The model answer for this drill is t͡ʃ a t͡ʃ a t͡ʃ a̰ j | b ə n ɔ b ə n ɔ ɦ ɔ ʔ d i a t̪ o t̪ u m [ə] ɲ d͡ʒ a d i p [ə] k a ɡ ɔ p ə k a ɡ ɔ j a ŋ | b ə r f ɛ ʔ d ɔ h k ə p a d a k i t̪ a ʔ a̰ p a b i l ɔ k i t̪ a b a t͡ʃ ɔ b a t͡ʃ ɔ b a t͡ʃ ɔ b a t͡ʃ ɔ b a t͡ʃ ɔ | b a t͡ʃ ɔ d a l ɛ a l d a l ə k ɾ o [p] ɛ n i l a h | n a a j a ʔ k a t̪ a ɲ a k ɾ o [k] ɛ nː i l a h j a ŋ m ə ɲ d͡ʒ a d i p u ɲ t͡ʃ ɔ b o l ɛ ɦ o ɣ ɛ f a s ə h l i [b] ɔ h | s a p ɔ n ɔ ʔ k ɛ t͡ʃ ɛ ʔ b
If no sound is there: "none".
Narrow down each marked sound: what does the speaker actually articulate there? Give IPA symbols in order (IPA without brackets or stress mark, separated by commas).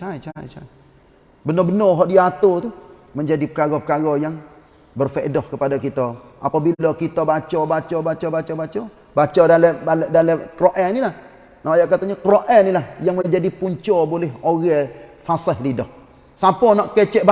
ə, ə, ʔ, ʔ, d